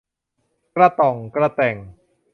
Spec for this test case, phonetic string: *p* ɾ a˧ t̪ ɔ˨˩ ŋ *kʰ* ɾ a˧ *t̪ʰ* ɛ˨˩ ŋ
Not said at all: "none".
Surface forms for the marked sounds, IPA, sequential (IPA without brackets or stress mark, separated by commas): k, k, t̪